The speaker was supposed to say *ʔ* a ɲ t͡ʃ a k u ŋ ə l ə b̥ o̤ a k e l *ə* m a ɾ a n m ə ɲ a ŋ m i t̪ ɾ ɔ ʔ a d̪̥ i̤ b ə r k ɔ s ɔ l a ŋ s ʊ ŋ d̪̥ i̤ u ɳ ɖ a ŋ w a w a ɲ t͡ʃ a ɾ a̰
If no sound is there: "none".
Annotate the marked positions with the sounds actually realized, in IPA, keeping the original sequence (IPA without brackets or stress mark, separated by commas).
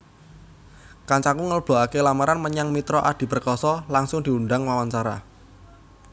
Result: k, a